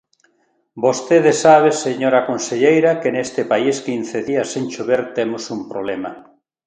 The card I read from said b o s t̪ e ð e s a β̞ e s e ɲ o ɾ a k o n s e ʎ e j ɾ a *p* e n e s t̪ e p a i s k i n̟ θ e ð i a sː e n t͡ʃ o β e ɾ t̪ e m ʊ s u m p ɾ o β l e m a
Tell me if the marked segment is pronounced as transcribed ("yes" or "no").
no